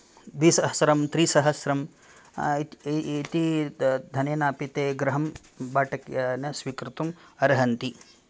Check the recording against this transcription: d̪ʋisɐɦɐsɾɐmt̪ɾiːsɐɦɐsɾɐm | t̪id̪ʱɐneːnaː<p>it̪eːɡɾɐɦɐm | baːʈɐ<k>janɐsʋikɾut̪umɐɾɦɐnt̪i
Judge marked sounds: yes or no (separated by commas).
yes, yes